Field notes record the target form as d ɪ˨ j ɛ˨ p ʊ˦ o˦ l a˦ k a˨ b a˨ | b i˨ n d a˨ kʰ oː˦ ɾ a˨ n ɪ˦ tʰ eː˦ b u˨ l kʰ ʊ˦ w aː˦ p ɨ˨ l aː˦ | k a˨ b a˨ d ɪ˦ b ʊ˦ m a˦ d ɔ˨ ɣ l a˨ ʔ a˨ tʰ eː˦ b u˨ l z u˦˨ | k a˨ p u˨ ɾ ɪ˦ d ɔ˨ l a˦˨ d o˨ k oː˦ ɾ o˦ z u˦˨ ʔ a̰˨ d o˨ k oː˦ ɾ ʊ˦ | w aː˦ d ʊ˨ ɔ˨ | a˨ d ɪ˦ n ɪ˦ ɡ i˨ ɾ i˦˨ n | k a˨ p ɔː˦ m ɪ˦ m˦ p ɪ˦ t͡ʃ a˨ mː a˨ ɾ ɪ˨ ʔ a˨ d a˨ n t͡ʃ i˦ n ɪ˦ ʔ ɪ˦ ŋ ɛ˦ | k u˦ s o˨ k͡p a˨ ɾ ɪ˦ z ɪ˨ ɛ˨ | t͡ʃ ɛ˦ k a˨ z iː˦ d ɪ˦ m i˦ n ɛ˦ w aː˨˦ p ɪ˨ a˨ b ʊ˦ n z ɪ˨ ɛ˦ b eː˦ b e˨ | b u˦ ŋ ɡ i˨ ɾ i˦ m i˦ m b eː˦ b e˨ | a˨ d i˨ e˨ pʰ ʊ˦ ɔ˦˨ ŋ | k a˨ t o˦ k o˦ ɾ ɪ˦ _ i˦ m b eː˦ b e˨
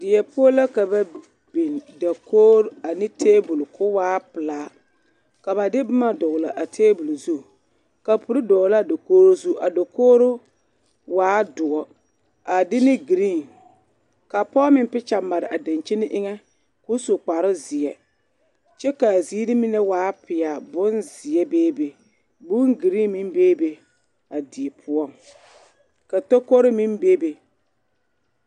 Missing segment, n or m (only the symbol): m